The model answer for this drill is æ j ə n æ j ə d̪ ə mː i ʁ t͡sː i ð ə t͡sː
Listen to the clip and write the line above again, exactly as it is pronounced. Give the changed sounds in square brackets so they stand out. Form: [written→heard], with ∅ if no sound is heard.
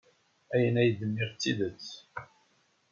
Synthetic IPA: æ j ə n æ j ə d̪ ə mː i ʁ t͡sː i ð ə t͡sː